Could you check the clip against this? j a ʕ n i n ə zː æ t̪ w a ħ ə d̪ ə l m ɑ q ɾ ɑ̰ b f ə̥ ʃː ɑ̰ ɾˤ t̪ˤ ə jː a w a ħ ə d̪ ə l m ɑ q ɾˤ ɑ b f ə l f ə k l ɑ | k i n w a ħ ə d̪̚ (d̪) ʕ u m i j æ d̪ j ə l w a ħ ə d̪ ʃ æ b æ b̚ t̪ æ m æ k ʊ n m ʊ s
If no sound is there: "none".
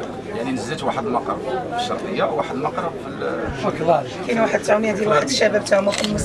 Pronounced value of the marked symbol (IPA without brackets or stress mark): t̪